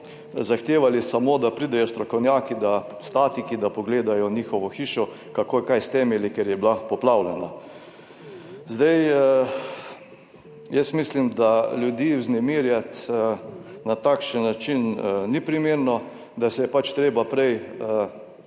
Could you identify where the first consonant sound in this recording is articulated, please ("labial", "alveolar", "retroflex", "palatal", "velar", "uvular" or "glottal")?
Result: alveolar